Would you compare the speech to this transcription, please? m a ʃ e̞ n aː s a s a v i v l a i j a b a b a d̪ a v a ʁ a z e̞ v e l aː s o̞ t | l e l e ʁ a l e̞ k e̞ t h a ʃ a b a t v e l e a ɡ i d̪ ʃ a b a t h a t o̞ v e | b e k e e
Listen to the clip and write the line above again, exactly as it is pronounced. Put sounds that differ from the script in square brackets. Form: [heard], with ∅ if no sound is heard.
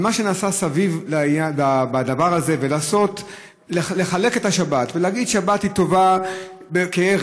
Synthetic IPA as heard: m a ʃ e̞ n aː s a s a v i v l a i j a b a b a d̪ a v a ʁ a z e̞ v e l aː s o̞ t | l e l e [χ] a l e̞ k e̞ t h a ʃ a b a t v e l e a ɡ i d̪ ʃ a b a t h [i] t o̞ v [a] | b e k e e